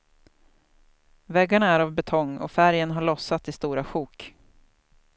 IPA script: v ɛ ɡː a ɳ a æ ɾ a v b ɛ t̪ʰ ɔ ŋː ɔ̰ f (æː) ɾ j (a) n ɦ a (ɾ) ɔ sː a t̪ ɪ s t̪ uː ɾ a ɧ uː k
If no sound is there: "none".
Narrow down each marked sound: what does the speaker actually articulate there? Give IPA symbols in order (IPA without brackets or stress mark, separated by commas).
æ, ə, ɭ